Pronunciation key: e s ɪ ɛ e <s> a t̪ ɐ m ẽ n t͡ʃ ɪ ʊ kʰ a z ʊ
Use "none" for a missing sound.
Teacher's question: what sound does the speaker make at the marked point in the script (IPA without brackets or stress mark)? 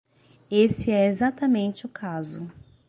z